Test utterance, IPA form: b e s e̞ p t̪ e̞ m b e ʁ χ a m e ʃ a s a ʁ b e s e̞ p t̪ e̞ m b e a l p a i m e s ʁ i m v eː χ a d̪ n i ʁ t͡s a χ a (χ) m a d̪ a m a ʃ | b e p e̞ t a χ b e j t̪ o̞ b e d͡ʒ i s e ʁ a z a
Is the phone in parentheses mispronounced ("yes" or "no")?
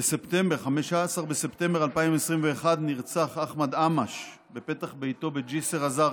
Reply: no